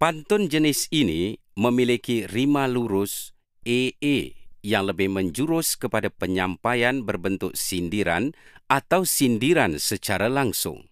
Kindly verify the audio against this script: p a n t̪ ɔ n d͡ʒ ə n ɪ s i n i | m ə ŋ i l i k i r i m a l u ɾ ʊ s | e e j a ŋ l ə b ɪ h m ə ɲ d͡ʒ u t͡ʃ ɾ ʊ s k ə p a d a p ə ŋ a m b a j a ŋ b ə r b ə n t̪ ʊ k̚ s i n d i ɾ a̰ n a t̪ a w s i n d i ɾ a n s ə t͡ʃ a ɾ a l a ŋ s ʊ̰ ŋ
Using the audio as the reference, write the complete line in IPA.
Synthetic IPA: p a n t̪ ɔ n d͡ʒ ə n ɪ s i n i | m ə m i l i k i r i m a l u ɾ ʊ s | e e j a ŋ l ə b ɪ h m ə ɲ d͡ʒ u ɾ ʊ s k ə p a d a p ə ɲ a m p a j a n b ə r b ə n t̪ ʊ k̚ s i n d i ɾ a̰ n a t̪ a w s i n d i ɾ a n s ə t͡ʃ a ɾ a l a ŋ s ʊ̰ ŋ